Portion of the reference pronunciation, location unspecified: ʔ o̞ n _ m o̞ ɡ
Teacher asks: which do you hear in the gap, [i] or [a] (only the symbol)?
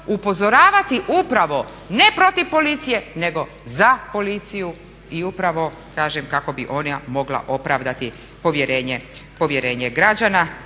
a